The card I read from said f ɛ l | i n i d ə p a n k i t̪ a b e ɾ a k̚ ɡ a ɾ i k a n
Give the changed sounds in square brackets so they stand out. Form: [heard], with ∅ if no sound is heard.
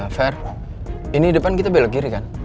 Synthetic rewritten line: f ɛ [r] | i n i d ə p a n k i t̪ a b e [l] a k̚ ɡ [i] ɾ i k a n